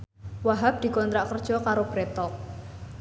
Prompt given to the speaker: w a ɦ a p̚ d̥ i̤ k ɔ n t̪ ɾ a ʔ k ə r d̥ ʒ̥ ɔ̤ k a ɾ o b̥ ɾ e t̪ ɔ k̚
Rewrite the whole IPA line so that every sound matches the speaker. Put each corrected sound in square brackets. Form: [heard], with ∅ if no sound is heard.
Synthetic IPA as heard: w a ɦ a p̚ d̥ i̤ k ɔ n t̪ ɾ a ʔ k ə r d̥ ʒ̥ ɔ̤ k a ɾ o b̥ ɾ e t̪ ɔ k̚

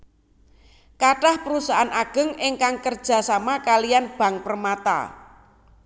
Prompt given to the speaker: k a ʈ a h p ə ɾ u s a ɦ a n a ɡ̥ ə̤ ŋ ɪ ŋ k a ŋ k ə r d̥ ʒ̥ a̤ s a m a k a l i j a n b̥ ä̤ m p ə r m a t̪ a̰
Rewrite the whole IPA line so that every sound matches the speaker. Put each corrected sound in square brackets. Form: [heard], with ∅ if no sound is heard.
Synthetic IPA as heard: k a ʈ a h p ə ɾ u s a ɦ a n a ɡ̥ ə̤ ŋ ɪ ŋ k a ŋ k ə r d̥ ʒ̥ a̤ s a m a k a l i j a n b̥ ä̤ [ŋ] p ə r m a t̪ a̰

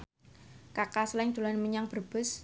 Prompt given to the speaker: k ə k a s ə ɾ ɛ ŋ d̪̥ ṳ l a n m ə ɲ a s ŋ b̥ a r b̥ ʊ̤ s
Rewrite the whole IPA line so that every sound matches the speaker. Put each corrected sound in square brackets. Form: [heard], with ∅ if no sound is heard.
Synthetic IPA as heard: k [a] k a s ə [l] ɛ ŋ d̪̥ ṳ l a n m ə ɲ a [∅] ŋ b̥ [ə] r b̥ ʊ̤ s

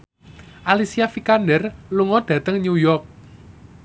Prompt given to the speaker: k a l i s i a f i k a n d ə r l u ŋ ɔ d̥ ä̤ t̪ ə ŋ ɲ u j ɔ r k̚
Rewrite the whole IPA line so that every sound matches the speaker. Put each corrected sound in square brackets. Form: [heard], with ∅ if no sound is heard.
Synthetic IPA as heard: [ʔ] a l i s i a f i k a n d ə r l u ŋ ɔ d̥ ä̤ t̪ ə ŋ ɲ u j ɔ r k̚

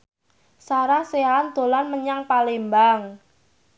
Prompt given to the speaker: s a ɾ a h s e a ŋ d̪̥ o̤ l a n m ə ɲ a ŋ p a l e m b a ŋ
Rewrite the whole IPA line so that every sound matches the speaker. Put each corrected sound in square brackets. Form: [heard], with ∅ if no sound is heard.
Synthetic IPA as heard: s a ɾ a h s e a [n] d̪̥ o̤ l a n m ə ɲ a ŋ p a l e m b a ŋ

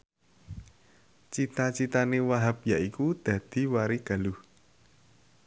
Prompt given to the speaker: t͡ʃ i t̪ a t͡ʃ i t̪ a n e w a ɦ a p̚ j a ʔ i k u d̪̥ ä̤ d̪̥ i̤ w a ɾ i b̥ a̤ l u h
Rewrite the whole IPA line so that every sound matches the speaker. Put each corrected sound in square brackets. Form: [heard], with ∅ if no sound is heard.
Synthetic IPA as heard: t͡ʃ i t̪ a t͡ʃ i t̪ a n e w a ɦ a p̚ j a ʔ i k u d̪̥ ä̤ d̪̥ i̤ w a ɾ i [ɡ̥] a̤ l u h

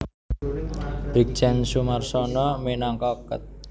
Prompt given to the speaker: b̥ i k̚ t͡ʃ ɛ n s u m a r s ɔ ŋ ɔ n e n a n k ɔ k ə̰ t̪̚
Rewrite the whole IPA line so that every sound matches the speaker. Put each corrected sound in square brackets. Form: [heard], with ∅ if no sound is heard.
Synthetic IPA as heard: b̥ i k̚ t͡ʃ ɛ n s u m a r s ɔ [n] ɔ [m] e n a [ŋ] k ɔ k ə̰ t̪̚

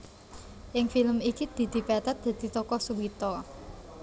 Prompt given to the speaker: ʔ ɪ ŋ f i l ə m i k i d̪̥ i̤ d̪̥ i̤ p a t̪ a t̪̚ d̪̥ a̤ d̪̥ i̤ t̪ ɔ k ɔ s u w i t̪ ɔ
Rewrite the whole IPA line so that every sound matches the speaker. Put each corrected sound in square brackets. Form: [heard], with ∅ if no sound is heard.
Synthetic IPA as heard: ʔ ɪ ŋ f i l ə m i k i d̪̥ i̤ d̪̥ i̤ p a t̪ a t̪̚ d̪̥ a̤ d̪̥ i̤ t̪ ɔ k ɔ s u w i t̪ ɔ

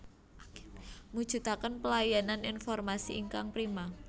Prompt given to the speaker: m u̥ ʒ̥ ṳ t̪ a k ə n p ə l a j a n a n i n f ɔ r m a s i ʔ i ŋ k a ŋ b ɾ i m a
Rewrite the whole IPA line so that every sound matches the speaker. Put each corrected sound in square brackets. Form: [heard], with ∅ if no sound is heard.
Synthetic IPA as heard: m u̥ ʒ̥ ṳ t̪ a k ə n p ə l a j a n a n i n f ɔ r m a s i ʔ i ŋ k a ŋ [p] ɾ i m a

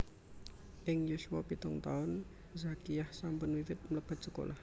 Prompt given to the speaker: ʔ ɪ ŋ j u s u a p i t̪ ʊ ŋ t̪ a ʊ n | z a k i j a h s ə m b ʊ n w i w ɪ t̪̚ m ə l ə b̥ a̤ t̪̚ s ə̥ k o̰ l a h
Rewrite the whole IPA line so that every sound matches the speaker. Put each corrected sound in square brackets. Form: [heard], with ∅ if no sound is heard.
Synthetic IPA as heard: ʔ ɪ ŋ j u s u a p i t̪ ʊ ŋ t̪ a ʊ n | z a k i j a h s [a] m [p] ʊ n w i w ɪ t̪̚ m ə l ə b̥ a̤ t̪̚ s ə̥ k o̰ l a h

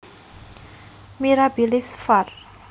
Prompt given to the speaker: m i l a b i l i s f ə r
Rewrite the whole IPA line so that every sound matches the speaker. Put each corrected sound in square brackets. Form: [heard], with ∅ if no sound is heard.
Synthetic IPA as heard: m i [ɾ] a b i l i s f [a] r

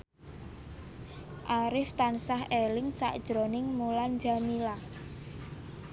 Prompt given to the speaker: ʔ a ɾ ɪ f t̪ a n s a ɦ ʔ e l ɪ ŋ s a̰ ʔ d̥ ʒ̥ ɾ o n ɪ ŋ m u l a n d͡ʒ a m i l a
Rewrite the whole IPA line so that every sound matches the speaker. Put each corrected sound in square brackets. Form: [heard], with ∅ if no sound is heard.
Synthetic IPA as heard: ʔ a ɾ ɪ f t̪ a n s a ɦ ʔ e l ɪ ŋ s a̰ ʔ d̥ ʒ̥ ɾ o n ɪ ŋ m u l a n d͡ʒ a m i l a

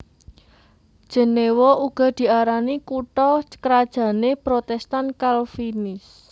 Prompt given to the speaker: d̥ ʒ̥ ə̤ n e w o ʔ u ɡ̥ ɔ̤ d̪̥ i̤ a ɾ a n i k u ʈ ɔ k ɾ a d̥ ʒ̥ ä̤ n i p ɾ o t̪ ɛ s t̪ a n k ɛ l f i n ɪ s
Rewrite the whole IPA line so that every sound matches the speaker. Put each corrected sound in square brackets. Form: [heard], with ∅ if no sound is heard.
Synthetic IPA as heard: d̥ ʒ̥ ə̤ n e w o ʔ u ɡ̥ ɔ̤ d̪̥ i̤ a ɾ a n i k u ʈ ɔ k ɾ a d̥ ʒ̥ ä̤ n [e] p ɾ o t̪ ɛ s t̪ a n k [a] l f i n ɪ s

